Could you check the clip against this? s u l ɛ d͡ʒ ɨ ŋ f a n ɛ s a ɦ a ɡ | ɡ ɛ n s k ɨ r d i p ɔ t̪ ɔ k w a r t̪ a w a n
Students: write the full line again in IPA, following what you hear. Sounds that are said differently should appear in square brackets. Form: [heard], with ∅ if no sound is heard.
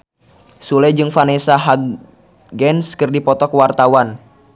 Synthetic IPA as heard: s u l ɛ d͡ʒ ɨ ŋ f a n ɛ s a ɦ a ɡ | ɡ ɛ n s k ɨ r d i p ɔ t̪ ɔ k w a r t̪ a w a n